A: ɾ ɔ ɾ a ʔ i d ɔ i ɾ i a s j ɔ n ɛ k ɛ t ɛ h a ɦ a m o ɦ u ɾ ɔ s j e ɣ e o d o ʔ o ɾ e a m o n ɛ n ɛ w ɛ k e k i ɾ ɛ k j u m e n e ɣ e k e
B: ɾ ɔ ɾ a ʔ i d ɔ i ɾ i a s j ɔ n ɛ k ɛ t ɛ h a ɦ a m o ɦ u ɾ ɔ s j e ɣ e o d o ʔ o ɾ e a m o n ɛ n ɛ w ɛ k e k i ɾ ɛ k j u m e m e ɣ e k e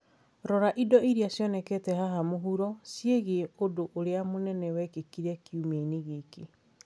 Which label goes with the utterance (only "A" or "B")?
A